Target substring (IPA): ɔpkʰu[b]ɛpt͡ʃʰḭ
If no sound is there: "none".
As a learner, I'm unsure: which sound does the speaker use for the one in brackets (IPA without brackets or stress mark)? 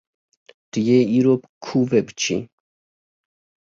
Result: v